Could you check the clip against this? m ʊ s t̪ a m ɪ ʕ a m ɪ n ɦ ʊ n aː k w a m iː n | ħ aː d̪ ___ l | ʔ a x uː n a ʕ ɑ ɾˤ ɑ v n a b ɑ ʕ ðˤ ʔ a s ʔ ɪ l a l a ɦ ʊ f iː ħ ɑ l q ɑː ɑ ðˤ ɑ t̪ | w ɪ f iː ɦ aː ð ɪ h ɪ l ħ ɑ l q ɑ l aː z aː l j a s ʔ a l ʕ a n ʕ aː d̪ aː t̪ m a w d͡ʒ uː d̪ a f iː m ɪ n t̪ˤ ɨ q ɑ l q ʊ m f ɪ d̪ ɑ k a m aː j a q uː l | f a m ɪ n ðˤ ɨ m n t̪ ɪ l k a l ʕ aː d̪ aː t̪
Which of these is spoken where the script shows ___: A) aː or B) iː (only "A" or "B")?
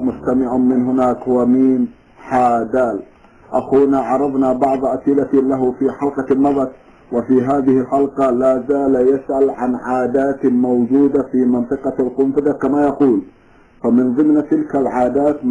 A